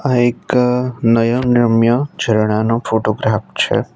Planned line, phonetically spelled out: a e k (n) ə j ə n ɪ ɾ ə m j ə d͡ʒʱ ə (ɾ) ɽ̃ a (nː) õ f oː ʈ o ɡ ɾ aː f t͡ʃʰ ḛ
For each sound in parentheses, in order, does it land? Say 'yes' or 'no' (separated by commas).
yes, yes, no